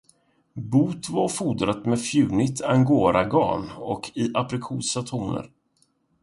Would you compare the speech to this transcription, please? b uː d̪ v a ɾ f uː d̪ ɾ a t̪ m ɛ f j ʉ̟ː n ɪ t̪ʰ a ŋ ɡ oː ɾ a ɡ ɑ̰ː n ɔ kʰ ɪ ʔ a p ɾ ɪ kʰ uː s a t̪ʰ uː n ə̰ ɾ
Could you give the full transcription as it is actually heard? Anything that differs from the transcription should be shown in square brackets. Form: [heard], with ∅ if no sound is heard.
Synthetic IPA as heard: b uː [t̪] v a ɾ f uː d̪ ɾ a t̪ m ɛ f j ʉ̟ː n ɪ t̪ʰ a ŋ ɡ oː ɾ a ɡ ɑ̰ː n ɔ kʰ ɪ ʔ a p ɾ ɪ kʰ uː s a t̪ʰ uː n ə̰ ɾ